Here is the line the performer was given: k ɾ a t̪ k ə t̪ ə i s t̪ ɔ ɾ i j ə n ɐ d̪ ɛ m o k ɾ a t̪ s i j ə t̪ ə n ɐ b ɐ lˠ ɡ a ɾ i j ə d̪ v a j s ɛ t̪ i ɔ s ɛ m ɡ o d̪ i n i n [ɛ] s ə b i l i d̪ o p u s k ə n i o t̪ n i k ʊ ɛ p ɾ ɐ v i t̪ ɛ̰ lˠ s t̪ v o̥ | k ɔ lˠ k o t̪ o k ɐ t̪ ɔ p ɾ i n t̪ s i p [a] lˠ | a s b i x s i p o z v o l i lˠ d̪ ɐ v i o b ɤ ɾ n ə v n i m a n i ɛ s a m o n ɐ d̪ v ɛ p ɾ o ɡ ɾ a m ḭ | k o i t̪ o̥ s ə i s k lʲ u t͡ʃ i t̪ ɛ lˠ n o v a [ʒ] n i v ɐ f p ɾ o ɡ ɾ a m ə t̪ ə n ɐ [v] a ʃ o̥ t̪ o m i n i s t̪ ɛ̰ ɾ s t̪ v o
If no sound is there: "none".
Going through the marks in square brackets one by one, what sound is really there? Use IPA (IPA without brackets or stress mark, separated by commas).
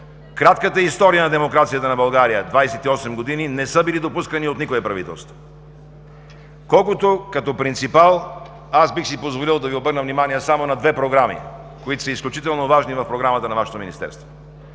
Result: ɛ, a, ʒ, v